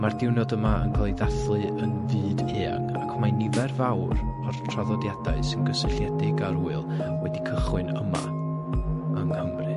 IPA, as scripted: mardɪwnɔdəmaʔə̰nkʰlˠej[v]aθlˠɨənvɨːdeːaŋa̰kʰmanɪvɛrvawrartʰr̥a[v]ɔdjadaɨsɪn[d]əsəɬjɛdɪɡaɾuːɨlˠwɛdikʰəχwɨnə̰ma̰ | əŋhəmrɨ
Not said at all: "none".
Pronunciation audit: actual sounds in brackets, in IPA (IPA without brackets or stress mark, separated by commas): ð, ð, ɡ